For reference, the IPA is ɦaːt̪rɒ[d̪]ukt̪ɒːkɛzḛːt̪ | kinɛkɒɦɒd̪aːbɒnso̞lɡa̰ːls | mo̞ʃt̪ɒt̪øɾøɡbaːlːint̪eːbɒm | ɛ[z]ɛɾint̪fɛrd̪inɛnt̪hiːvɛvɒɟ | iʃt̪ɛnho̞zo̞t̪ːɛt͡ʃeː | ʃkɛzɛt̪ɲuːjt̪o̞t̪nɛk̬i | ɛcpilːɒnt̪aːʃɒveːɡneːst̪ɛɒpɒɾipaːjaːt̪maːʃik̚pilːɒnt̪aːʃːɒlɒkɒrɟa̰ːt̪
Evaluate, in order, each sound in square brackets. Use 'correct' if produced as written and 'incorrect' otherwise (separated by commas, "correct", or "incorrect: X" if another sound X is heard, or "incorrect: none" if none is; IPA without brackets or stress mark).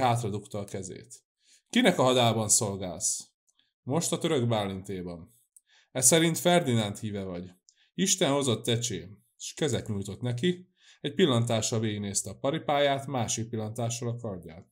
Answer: correct, incorrect: s